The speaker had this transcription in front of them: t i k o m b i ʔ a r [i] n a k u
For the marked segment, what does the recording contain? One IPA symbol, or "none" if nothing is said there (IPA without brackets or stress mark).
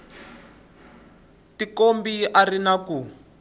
i